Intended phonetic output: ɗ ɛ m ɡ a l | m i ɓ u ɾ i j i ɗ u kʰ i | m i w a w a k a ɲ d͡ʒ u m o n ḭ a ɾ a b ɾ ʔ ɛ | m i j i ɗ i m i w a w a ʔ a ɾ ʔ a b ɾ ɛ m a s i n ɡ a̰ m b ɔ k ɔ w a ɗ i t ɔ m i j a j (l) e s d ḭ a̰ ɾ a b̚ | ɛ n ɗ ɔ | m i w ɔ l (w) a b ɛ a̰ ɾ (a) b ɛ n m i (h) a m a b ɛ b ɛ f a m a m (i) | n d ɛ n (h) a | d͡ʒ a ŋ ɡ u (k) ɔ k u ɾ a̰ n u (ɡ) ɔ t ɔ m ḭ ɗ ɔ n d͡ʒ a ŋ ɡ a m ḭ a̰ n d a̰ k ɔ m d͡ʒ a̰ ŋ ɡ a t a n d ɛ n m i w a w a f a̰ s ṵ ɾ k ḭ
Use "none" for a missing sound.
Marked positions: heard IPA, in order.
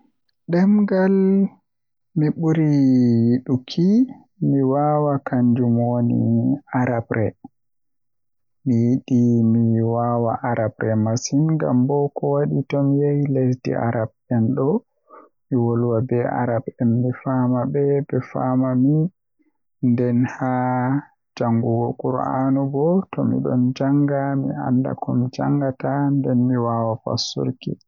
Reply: l, w, a, f, i, h, ɡ, b

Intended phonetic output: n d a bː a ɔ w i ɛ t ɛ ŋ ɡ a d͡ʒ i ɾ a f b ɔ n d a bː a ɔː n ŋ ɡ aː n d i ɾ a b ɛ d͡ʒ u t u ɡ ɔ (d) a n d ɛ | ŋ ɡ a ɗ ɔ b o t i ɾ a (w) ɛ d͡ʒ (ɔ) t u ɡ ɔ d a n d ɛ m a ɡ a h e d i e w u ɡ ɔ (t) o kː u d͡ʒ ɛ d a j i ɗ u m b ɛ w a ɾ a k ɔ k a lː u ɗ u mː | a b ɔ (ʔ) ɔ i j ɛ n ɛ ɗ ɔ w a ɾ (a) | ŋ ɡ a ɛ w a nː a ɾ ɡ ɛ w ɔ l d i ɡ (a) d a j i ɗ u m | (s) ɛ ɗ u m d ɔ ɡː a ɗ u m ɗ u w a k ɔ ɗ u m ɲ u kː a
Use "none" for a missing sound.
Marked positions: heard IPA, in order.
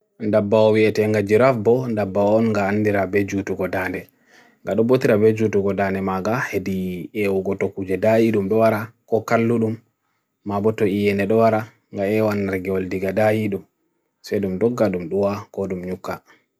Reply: d, b, u, t, t, a, a, s

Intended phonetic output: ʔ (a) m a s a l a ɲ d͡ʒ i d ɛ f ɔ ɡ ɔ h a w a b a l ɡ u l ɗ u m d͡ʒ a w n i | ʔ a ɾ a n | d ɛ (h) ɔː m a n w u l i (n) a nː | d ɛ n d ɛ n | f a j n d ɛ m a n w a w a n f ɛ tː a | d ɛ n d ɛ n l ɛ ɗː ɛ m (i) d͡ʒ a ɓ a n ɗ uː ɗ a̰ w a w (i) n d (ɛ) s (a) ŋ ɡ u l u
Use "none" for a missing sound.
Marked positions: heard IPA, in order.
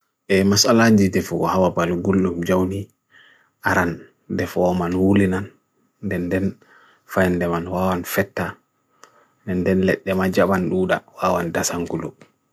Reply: ɛ, f, n, a, a, a, a

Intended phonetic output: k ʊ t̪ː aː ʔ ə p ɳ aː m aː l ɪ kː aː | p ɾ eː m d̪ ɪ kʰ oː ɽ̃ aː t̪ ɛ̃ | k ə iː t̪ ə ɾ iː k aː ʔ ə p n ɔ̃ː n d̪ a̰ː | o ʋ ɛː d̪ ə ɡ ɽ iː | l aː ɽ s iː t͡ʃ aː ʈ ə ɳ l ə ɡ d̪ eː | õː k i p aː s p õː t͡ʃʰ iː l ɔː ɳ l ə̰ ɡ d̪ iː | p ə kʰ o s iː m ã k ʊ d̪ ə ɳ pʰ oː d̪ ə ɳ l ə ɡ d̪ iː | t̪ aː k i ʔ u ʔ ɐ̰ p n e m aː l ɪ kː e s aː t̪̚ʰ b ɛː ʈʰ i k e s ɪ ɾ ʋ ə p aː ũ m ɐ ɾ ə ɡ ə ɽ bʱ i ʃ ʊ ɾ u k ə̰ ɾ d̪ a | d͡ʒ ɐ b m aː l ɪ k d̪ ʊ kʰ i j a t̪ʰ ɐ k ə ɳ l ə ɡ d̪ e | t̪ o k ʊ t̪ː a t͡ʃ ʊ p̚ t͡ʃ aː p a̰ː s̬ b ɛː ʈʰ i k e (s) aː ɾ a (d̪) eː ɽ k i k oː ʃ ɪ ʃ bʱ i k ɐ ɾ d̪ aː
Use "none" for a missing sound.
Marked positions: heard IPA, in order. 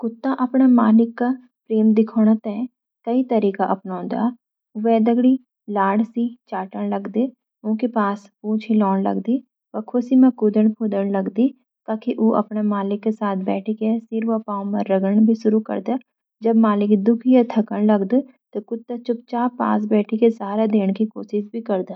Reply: s, d̪

